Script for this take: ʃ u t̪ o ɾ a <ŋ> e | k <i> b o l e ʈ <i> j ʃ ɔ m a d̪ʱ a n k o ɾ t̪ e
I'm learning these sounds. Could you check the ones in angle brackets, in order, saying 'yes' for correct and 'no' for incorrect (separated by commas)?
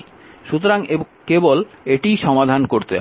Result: yes, no, yes